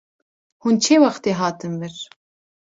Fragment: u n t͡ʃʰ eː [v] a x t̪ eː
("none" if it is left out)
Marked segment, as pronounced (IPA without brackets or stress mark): w